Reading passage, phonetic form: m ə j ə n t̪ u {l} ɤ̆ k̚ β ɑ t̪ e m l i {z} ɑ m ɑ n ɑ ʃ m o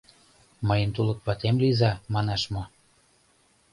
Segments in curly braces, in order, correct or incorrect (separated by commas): correct, correct